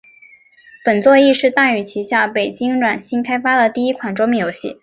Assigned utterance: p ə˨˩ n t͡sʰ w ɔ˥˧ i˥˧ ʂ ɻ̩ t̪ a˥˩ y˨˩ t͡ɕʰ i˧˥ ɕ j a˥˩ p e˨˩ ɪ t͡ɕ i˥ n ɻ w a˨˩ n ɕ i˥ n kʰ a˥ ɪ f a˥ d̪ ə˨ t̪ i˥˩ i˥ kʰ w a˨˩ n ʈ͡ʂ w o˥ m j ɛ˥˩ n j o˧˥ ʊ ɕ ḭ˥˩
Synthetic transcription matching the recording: p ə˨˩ n t͡s w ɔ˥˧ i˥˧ ʂ ɻ̩ t̪ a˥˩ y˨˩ t͡ɕʰ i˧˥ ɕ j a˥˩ p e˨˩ ɪ t͡ɕ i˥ ŋ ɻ w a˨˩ n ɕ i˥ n kʰ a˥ ɪ f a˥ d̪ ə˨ t̪ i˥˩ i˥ kʰ w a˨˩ n ʈ͡ʂ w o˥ m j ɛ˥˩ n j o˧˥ ʊ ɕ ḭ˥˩